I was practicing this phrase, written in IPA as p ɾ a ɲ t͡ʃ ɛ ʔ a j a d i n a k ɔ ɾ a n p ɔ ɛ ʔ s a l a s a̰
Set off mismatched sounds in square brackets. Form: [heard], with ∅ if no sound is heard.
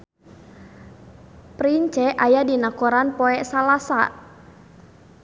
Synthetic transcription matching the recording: p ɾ [i] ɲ t͡ʃ ɛ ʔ a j a d i n a k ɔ ɾ a n p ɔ ɛ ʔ s a l a s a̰